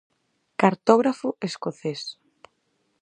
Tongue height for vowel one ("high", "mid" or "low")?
low